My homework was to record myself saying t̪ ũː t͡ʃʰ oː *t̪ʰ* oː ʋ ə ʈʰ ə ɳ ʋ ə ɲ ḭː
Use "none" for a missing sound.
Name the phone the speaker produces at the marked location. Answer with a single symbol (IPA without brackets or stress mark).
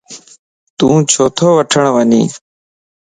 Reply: t̪ʰ